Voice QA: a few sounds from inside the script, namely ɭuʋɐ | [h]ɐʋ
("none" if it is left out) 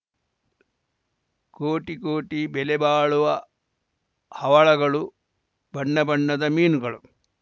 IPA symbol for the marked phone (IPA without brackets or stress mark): h